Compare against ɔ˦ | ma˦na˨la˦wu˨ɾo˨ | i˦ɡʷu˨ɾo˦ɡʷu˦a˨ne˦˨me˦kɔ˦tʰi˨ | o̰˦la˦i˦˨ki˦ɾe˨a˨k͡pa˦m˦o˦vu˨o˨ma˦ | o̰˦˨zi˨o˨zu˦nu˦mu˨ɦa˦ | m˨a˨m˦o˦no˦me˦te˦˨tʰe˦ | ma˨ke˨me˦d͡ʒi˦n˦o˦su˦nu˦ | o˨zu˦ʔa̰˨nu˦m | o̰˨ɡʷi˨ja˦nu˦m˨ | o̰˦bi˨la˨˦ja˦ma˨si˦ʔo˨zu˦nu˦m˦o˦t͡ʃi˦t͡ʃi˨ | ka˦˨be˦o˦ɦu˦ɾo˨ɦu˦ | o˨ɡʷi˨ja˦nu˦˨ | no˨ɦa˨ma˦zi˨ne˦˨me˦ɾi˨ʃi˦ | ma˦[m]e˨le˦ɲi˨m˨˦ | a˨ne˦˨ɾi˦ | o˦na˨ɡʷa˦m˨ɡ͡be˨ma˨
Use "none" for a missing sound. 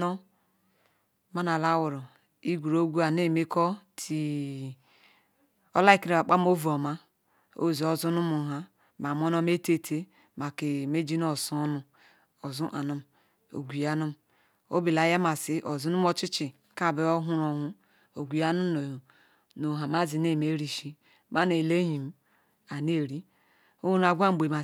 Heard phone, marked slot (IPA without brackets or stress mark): n